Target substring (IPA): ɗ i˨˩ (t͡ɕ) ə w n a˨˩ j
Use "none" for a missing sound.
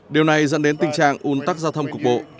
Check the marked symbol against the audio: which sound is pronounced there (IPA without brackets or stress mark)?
none